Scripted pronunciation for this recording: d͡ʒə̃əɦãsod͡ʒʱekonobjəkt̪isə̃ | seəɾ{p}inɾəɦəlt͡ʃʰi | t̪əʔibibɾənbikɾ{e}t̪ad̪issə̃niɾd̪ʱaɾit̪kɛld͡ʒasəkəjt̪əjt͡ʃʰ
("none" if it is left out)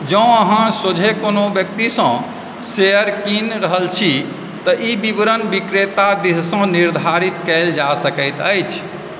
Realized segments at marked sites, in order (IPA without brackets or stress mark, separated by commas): k, e